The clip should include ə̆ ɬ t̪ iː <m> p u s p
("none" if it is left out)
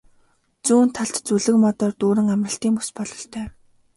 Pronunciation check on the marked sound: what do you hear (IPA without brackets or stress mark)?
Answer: ŋ